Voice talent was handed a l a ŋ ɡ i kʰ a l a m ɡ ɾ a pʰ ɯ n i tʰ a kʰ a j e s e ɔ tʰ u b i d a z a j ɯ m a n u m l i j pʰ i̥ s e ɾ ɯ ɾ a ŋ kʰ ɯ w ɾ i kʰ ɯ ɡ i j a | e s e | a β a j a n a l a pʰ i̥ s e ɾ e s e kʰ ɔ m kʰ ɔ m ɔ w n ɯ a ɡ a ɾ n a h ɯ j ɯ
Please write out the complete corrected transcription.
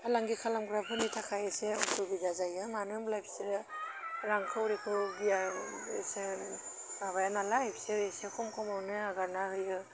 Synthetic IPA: a l a ŋ ɡ i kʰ a l a m ɡ ɾ a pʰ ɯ n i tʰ a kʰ a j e s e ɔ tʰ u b i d a z a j ɯ m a n ɯ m l a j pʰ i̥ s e ɾ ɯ ɾ a ŋ kʰ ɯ w ɾ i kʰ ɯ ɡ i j a | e s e | a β a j a n a l a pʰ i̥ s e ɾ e s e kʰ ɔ m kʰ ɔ m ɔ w n ɯ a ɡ a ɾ n a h ɯ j ɯ